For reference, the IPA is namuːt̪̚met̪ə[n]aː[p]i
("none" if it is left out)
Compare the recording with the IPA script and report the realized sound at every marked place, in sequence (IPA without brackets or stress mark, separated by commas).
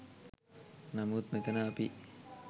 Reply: n, p